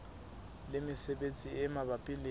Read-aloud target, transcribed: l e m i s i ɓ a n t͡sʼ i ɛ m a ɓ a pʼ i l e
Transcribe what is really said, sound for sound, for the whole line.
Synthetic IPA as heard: l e m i s ɛ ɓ e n t͡sʼ i ɛ m a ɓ a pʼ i l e